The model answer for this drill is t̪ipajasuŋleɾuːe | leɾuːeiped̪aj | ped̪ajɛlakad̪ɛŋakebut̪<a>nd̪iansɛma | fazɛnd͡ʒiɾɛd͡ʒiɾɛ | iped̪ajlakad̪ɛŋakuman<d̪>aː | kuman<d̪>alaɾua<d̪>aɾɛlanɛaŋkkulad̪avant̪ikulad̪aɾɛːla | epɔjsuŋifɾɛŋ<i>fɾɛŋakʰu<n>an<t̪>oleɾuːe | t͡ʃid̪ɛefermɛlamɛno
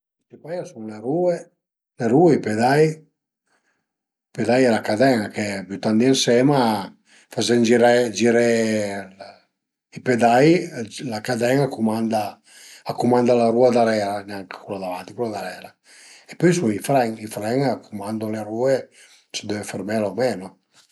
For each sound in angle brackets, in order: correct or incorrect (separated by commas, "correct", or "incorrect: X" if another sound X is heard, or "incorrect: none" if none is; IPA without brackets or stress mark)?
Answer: correct, correct, correct, correct, correct, incorrect: m, incorrect: d̪